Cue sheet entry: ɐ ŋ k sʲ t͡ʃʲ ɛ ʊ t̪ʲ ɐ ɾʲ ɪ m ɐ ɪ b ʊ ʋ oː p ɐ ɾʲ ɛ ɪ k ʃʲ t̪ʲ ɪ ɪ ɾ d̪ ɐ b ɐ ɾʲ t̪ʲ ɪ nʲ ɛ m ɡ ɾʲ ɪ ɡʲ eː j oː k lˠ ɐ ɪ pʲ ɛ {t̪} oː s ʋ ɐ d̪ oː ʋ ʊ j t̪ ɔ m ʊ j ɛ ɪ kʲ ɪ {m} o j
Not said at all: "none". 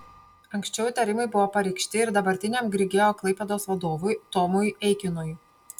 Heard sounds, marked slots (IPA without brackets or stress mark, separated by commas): d̪, n